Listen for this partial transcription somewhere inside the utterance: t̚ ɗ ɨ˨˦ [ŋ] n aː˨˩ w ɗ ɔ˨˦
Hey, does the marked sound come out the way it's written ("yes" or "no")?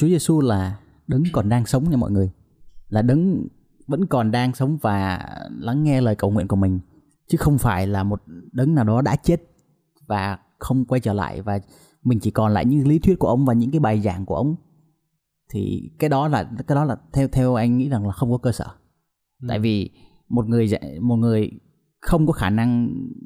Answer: yes